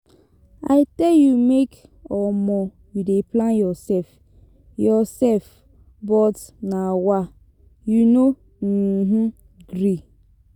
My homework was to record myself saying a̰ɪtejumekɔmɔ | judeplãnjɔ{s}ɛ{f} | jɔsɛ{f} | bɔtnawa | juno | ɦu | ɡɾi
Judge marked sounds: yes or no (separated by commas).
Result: yes, yes, yes